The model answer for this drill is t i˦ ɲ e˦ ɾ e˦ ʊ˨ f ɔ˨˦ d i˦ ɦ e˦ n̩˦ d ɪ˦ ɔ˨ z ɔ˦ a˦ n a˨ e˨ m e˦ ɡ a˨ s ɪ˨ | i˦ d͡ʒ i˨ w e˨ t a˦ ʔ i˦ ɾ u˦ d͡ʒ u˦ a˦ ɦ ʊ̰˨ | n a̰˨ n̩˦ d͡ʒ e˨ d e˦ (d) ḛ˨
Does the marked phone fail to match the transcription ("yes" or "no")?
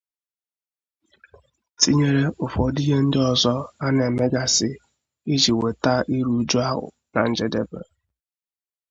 yes